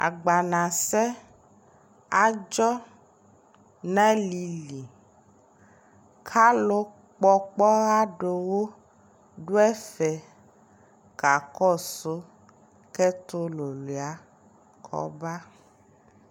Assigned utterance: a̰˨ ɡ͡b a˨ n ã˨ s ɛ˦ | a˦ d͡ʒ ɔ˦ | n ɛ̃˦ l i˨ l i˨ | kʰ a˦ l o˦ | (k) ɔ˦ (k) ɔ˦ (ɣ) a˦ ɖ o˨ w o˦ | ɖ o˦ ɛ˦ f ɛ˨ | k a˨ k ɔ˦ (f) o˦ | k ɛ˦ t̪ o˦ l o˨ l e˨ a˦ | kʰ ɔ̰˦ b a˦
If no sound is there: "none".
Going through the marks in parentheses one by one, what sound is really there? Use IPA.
k͡p, k͡p, ɣ, s

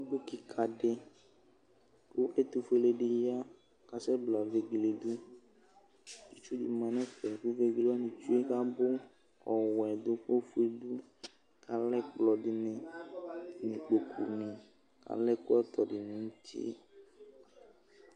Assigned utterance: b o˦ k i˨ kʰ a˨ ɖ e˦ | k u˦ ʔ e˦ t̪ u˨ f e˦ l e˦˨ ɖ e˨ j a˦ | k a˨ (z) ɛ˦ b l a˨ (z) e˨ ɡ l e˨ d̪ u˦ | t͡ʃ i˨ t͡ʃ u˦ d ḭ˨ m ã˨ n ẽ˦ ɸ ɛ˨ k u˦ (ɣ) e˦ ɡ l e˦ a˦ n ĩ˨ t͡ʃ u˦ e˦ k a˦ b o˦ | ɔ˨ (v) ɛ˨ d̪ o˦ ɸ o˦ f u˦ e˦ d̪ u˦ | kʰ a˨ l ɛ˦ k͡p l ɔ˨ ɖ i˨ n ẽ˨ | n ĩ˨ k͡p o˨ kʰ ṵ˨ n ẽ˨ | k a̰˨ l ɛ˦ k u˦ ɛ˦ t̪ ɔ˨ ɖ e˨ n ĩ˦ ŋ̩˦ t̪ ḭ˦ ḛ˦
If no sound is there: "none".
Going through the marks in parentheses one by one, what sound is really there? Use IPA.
s, v, v, w

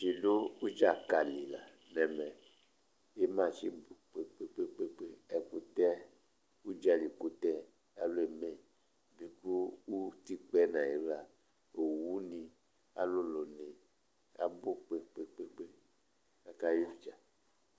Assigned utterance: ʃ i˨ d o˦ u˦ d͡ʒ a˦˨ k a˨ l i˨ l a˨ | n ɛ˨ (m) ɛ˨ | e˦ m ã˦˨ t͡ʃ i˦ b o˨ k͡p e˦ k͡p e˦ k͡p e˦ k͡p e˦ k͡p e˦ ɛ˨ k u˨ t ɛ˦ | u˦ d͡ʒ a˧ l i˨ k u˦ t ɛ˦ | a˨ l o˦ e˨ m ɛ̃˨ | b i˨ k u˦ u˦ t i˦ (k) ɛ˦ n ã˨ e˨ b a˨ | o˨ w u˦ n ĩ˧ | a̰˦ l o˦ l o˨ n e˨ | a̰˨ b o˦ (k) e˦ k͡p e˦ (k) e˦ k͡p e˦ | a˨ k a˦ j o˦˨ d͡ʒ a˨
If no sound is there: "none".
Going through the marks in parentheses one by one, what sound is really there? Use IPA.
m, k͡p, k͡p, k͡p

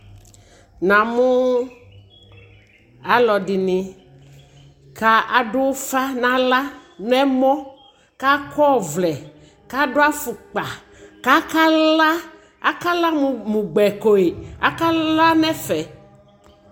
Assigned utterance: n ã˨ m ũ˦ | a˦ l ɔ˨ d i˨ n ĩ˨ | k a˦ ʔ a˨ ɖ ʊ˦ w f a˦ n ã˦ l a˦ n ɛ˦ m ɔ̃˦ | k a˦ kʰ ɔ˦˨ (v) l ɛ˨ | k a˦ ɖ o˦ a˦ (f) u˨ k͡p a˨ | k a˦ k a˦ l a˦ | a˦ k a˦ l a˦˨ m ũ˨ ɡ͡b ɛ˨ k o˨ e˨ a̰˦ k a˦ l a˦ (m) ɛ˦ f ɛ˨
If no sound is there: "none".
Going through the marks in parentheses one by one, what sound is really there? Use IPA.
v, f, n

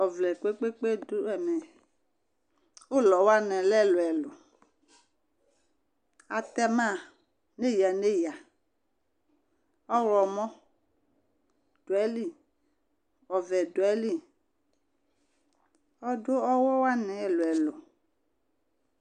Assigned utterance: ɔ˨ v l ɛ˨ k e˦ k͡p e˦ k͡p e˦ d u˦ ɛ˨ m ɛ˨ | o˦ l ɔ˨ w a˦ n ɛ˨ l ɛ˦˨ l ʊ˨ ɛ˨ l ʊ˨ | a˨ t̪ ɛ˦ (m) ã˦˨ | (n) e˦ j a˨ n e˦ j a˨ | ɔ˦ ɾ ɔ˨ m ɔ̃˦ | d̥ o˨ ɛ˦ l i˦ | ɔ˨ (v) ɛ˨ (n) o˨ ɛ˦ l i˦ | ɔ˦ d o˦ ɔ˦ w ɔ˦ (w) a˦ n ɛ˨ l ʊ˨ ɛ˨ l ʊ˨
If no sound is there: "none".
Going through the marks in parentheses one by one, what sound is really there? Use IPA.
m, n, v, d, w

